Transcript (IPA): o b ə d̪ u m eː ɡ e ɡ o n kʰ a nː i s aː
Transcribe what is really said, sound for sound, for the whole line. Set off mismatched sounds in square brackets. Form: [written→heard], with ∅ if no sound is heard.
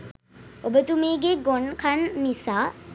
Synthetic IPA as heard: o b ə [d̪→t̪] u m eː ɡ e ɡ o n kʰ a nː i s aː